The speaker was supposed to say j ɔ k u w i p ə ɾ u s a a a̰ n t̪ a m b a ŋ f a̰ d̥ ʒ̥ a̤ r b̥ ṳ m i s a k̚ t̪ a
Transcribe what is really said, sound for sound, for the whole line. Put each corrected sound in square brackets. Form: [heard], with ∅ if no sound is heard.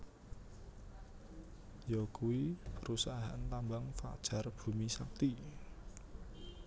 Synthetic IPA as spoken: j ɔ k u w i p ə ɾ u s a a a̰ n t̪ a m b a ŋ f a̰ d̥ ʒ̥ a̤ r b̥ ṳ m i s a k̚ t̪ [i]